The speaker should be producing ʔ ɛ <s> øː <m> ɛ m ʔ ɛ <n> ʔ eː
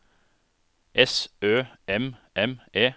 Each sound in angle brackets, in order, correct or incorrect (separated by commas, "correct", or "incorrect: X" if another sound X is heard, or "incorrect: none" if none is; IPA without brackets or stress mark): correct, incorrect: none, incorrect: m